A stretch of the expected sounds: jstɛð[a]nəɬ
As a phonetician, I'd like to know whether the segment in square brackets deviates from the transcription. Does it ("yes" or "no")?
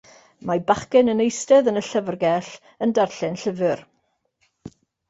yes